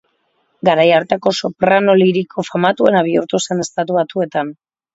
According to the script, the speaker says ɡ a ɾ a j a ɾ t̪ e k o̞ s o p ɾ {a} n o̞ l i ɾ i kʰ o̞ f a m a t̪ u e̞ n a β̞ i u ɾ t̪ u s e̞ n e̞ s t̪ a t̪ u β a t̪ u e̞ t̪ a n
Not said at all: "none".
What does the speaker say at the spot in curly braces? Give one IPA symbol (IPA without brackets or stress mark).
a